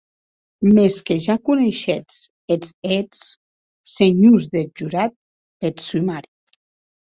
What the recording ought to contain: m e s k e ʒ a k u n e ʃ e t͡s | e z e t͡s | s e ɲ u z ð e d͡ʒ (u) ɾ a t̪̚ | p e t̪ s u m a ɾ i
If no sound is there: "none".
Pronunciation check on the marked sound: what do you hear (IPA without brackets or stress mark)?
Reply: u